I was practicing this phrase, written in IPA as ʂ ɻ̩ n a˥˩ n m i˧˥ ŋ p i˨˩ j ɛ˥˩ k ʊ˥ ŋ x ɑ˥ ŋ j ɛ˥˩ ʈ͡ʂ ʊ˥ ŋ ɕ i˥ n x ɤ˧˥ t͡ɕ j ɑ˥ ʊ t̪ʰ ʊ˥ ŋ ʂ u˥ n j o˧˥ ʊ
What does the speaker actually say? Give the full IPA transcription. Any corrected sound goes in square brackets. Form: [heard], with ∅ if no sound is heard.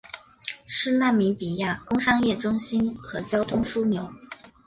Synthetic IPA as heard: ʂ ɻ̩ n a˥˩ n m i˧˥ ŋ p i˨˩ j [a˥˩] k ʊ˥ ŋ [ʂ] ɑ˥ ŋ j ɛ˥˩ ʈ͡ʂ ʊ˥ ŋ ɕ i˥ n x ɤ˧˥ t͡ɕ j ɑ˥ ʊ t̪ʰ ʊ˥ ŋ ʂ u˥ n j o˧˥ ʊ